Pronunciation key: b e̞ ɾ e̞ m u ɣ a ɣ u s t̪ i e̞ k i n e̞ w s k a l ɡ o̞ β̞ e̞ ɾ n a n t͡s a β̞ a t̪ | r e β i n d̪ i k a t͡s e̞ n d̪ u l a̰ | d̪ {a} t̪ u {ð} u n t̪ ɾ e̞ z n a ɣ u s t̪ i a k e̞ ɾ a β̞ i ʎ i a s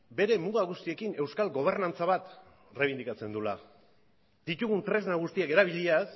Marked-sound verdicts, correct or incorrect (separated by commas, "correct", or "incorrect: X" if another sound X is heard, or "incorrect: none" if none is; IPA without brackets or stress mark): incorrect: i, incorrect: ɣ